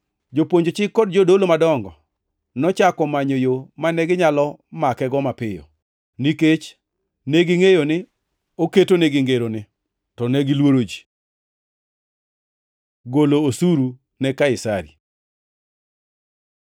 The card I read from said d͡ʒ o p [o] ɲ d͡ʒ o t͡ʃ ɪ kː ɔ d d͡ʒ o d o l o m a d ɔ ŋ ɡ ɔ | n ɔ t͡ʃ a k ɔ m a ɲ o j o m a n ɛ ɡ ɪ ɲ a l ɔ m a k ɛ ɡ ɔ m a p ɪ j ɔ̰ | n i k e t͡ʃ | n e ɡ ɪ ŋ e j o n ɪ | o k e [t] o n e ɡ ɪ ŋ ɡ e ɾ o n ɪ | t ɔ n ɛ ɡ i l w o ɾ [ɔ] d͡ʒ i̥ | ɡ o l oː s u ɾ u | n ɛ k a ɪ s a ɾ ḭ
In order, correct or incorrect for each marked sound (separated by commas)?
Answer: correct, correct, incorrect